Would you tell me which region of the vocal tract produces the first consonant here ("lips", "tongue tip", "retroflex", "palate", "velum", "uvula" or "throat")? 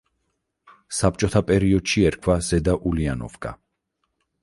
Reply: tongue tip